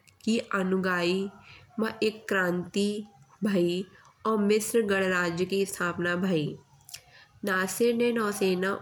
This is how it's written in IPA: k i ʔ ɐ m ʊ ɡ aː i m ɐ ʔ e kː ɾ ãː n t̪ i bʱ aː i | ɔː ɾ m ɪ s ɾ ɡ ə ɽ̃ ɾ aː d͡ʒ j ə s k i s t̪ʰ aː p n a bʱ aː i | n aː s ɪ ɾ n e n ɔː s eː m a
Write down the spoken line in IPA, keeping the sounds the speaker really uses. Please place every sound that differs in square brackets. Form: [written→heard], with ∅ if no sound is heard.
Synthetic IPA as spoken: k i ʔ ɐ [m→n] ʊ ɡ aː i m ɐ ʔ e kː ɾ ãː n t̪ i bʱ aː i | ɔː ɾ m ɪ s ɾ ɡ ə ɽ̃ ɾ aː d͡ʒ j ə [s→∅] k i s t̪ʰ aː p n a bʱ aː i | n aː s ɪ ɾ n e n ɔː s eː [m→n] a